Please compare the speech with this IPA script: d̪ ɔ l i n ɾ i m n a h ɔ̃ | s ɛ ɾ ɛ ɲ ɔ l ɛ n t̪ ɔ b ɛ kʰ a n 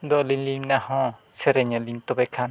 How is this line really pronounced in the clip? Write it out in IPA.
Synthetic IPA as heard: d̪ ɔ l i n l i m n a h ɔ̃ | s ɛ ɾ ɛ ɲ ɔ l i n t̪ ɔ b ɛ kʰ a n